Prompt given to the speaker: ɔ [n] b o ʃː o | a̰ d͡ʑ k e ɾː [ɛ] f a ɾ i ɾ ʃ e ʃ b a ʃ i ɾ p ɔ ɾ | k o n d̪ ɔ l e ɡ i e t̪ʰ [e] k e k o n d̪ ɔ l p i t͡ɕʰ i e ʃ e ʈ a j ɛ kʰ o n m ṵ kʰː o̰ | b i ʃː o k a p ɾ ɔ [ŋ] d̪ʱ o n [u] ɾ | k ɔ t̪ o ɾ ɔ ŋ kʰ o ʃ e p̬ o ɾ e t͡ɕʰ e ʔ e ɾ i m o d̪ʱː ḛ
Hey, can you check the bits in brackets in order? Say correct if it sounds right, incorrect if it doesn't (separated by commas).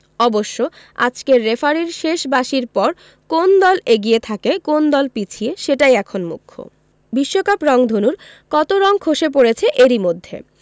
incorrect, incorrect, incorrect, correct, correct